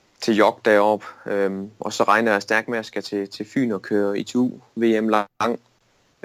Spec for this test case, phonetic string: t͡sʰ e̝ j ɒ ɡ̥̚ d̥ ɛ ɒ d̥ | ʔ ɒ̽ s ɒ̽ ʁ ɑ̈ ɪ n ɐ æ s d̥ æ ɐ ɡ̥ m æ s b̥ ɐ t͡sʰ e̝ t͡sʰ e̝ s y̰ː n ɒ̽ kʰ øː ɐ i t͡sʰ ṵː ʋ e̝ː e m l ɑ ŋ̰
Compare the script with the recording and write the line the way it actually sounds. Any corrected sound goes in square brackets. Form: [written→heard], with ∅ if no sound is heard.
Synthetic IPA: t͡sʰ e̝ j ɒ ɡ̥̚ d̥ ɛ ɒ [d̥→b̥] | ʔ ɒ̽ s ɒ̽ ʁ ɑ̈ ɪ n ɐ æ s d̥ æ ɐ ɡ̥ m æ s [b̥→ɡ̥] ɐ t͡sʰ e̝ t͡sʰ e̝ [s→f] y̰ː n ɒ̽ kʰ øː ɐ i t͡sʰ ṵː ʋ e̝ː e m l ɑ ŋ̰